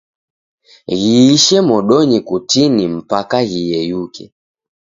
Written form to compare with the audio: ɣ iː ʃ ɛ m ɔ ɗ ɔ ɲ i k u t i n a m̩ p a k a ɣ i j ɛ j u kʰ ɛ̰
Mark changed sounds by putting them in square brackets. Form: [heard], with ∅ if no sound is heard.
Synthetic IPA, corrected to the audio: ɣ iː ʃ ɛ m ɔ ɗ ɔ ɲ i k u t i n [i] m̩ p a k a ɣ i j ɛ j u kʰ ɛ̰